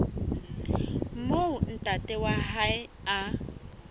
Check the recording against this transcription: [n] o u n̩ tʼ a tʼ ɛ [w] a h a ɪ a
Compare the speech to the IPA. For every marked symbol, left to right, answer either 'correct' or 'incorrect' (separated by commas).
incorrect, correct